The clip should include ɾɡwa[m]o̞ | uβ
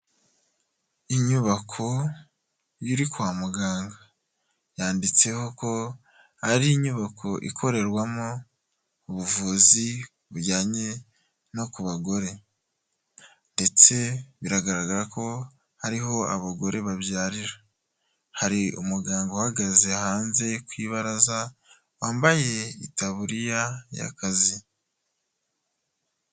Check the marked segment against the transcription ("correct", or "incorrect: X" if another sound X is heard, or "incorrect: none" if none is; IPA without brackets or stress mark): correct